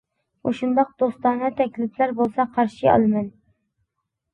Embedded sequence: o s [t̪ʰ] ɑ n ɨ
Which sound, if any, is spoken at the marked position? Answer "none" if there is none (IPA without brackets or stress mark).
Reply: t̪